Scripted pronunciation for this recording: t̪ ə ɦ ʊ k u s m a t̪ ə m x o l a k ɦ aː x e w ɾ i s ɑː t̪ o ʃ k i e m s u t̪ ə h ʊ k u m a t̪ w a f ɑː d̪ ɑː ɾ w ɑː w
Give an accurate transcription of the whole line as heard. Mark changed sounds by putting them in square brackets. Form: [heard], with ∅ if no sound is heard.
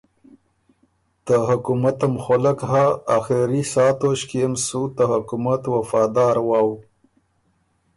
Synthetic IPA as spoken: t̪ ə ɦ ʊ k u [∅] m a t̪ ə m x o l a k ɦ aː x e [∅] ɾ i s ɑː t̪ o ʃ k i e m s u t̪ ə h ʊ k u m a t̪ w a f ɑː d̪ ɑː ɾ w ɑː w